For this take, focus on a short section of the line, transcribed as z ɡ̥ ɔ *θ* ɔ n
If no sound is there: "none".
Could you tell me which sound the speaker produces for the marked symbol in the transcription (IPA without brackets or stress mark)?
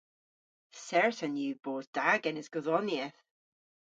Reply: ð